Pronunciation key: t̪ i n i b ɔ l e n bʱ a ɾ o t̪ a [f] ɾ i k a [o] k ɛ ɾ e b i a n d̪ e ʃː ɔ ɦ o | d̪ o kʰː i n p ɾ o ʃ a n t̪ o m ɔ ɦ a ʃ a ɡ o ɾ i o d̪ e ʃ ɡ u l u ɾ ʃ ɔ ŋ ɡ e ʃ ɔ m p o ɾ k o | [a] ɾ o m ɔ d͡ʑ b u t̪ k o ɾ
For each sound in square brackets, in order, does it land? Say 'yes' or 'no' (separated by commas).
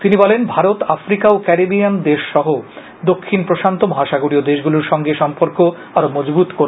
yes, yes, yes